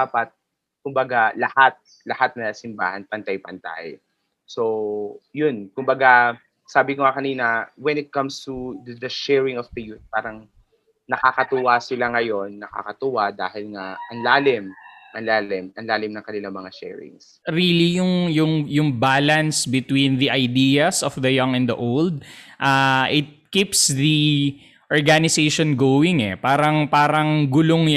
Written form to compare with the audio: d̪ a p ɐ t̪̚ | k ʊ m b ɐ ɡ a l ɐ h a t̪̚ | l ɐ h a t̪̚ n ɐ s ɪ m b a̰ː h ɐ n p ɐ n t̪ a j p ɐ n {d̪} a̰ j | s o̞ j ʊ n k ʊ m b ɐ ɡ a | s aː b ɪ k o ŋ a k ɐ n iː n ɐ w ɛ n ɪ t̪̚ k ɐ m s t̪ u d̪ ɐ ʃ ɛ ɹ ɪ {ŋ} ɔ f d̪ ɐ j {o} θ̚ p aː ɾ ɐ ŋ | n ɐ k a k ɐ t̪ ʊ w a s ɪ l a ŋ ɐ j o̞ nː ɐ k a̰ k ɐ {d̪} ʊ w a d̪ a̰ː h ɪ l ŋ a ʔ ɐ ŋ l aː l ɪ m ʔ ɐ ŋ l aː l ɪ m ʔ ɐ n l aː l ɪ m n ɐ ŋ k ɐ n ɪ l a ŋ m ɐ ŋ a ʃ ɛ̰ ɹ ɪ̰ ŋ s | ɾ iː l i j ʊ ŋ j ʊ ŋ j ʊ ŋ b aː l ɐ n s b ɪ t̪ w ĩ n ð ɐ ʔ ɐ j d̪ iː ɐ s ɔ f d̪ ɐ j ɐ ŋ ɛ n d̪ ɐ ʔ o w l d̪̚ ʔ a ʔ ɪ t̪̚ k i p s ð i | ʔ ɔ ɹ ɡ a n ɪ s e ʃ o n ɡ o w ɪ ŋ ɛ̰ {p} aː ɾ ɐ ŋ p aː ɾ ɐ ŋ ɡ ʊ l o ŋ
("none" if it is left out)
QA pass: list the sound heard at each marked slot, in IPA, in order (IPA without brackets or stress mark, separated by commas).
t̪, ŋ, u, t̪, p